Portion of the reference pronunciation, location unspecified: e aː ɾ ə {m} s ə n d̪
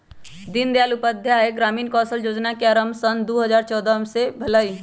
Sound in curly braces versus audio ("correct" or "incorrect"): correct